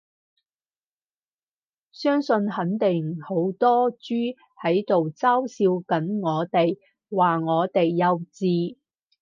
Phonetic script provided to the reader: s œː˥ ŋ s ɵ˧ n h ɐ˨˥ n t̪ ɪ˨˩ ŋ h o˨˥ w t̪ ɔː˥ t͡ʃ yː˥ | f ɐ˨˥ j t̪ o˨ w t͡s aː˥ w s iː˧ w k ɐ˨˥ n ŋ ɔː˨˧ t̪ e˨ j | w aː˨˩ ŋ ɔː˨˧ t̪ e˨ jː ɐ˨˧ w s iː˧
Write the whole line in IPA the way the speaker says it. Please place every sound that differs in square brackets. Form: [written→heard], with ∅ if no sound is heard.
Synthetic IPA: s œː˥ ŋ s ɵ˧ n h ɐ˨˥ n t̪ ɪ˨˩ ŋ h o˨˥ w t̪ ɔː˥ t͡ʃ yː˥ | [f→h] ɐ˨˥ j t̪ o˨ w t͡s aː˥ w s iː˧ w k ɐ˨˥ n ŋ ɔː˨˧ t̪ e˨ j | w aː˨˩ ŋ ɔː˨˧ t̪ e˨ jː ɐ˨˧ w [s→t͡s] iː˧

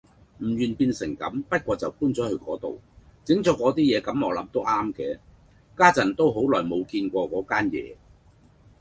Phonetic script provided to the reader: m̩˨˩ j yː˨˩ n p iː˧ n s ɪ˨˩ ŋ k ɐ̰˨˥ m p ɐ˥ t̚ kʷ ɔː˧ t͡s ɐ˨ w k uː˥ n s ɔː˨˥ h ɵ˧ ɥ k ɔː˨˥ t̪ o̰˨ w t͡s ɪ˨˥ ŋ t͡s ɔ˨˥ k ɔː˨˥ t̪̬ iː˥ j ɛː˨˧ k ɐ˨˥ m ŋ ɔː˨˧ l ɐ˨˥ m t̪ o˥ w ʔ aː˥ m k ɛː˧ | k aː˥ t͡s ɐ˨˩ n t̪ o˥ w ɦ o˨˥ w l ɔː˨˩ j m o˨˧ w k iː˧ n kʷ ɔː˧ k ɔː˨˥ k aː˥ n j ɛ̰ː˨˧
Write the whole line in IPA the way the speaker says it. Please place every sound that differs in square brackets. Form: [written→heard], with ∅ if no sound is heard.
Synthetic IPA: m̩˨˩ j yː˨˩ n p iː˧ n s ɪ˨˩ ŋ k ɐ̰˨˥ m p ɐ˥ t̚ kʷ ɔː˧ t͡s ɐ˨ w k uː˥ n [s→t͡s] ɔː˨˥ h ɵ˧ ɥ k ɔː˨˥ t̪ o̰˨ w t͡s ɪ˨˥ ŋ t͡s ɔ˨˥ k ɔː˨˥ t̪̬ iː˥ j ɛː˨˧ k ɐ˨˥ m ŋ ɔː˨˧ l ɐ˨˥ m t̪ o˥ w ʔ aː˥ m k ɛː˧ | k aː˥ t͡s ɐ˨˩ n t̪ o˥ w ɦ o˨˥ w l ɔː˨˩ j m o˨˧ w k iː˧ n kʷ ɔː˧ k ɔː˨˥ k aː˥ n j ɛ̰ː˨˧

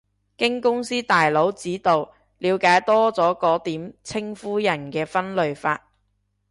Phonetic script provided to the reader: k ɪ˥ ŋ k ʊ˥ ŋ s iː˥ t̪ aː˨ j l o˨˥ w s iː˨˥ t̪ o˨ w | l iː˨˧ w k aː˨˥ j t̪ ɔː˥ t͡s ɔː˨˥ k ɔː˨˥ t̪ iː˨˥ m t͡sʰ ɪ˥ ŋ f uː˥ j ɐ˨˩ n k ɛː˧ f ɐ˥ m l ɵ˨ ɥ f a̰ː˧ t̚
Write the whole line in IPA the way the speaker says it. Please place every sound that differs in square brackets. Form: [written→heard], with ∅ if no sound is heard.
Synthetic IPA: k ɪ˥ ŋ k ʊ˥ ŋ s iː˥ t̪ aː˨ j l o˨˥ w [s→t͡s] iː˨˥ t̪ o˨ w | l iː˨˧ w k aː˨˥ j t̪ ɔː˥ t͡s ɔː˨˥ k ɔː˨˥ t̪ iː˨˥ m t͡sʰ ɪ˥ ŋ f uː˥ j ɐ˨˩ n k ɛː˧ f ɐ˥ [m→n] l ɵ˨ ɥ f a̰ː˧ t̚

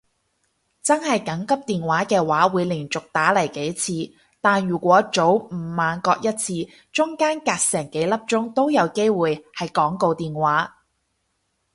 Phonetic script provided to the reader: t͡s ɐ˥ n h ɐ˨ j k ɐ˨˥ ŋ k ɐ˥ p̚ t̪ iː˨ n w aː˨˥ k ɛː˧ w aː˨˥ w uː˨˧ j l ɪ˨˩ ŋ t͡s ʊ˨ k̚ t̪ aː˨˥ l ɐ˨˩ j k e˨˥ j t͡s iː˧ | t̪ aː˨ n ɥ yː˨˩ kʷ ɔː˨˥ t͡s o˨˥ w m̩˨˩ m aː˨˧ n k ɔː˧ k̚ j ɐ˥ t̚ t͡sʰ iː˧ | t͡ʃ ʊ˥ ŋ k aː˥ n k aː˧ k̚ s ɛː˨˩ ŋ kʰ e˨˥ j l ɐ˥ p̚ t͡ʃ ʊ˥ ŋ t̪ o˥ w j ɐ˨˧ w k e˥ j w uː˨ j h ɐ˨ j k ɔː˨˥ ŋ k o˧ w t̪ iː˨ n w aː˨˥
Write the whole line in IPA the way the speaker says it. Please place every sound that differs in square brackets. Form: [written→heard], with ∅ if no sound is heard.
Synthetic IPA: t͡s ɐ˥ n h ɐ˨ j k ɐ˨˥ ŋ k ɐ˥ p̚ t̪ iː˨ n w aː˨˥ k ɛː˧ w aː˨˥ w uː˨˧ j l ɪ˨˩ ŋ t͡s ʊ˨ k̚ t̪ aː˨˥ l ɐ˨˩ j k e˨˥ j [t͡s→t͡sʰ] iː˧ | t̪ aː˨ n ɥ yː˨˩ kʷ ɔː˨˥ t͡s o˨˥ w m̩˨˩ m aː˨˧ n k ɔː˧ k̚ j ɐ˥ t̚ t͡sʰ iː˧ | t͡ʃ ʊ˥ ŋ k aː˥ n k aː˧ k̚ s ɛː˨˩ ŋ [kʰ→k] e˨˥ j l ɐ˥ p̚ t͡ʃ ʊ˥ ŋ t̪ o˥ w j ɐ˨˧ w k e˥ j w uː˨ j h ɐ˨ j k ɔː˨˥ ŋ k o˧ w t̪ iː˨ n w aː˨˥

